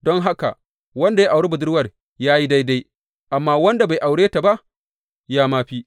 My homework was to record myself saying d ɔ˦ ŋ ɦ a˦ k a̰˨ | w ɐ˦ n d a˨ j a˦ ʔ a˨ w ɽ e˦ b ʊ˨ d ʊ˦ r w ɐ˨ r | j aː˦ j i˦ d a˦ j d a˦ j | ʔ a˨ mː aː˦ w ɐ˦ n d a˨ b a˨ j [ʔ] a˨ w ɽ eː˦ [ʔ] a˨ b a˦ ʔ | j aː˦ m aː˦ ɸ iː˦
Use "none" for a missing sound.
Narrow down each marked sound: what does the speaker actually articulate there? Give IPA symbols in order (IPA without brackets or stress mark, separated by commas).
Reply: ʔ, t